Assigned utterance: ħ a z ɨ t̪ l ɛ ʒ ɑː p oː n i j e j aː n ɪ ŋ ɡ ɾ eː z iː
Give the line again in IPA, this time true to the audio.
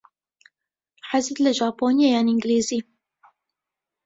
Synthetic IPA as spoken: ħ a z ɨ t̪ l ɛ ʒ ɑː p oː n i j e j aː n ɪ ŋ ɡ l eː z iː